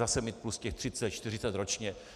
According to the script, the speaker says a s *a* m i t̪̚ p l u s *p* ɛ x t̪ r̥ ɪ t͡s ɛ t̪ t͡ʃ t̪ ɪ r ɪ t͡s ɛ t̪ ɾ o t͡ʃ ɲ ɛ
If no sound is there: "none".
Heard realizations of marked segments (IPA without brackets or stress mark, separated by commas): ɛ, c